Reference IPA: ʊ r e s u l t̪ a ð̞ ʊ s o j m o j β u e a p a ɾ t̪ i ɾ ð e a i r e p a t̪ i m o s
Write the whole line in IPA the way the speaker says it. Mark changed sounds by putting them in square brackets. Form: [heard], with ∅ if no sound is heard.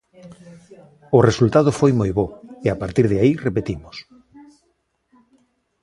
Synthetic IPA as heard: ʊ r e s u l t̪ a ð̞ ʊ [f] o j m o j β [o] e a p a ɾ t̪ i ɾ ð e a i r e p [e] t̪ i m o s